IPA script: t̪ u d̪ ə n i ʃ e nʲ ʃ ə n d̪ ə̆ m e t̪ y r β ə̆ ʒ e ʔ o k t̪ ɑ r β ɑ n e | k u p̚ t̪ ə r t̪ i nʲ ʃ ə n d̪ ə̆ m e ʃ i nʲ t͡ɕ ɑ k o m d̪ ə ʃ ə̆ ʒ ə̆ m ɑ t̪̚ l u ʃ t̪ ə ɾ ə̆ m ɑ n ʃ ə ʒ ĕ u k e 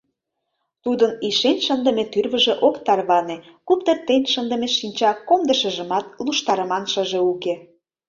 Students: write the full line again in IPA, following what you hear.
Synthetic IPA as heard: t̪ u d̪ ə n i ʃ e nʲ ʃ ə n d̪ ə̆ m e t̪ y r β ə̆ ʒ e ʔ o k t̪ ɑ r β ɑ n e | k u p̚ t̪ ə r t̪ e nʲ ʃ ə n d̪ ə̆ m e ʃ i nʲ t͡ɕ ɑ k o m d̪ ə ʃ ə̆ ʒ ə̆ m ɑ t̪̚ l u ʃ t̪ ɑ ɾ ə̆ m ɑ n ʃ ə ʒ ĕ u k e